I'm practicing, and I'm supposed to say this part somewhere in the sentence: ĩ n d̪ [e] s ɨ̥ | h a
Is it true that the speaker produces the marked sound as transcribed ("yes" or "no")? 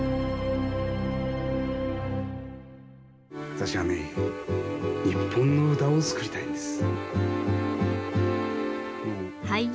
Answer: yes